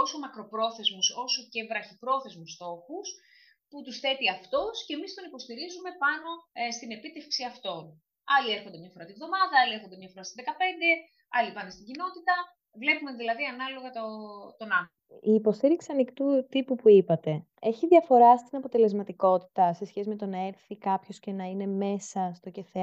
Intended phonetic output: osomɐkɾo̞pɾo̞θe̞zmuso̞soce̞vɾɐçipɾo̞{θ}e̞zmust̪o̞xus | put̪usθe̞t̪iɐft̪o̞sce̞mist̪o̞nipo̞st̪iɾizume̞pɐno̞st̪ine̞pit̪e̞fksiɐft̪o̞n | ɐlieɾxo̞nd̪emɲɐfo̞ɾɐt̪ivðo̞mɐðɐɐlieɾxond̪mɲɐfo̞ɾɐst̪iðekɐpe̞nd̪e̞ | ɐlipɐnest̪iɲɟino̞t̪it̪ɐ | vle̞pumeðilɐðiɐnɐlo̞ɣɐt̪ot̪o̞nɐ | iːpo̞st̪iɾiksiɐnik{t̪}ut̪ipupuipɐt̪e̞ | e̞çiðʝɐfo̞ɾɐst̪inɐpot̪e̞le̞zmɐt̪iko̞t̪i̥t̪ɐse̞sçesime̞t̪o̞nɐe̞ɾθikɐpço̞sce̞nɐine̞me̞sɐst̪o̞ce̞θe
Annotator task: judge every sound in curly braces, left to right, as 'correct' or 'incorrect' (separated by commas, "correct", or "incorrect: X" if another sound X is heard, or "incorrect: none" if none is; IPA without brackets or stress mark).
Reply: correct, correct